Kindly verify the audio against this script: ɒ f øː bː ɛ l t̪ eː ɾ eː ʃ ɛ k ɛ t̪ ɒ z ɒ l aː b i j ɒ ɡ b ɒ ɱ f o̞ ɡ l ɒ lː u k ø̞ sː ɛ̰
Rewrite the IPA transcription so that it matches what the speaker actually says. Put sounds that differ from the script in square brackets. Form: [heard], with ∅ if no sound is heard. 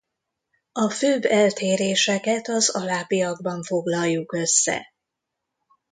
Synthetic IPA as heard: ɒ f øː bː ɛ l t̪ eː ɾ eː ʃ ɛ k ɛ t̪ ɒ z ɒ l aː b i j ɒ ɡ b ɒ ɱ f o̞ ɡ l ɒ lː u k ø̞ sː ɛ̰